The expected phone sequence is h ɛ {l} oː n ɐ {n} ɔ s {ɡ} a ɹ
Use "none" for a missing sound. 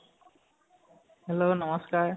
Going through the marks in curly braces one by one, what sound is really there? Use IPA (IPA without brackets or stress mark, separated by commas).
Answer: l, m, k